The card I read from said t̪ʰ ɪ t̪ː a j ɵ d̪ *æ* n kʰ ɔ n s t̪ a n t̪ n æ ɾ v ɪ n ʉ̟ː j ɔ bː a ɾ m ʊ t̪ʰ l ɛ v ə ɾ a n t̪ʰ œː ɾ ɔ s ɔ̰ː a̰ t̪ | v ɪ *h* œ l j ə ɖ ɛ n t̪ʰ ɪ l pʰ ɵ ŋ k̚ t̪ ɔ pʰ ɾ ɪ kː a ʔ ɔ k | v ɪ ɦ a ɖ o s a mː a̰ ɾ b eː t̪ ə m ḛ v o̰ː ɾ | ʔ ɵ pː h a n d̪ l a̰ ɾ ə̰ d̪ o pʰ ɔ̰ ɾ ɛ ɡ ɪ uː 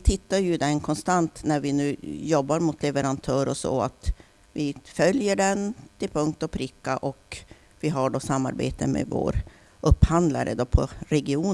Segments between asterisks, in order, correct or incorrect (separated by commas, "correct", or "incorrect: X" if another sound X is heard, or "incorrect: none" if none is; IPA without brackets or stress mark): incorrect: ɛ, incorrect: f